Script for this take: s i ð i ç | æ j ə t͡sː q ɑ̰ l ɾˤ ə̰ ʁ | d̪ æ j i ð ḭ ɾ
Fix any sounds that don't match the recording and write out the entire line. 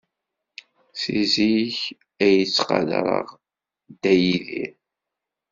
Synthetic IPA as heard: s i z i ç | æ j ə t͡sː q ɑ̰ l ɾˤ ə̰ ʁ | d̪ æ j i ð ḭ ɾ